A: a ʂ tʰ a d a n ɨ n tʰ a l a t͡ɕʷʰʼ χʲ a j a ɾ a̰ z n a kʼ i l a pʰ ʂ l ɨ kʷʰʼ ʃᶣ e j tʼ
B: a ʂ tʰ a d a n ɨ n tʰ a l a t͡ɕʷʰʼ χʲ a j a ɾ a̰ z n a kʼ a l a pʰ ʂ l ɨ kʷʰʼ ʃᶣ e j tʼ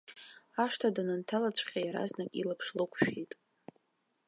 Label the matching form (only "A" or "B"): A